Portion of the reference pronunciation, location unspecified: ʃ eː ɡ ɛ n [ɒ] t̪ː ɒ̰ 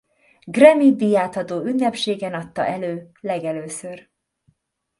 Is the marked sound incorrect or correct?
correct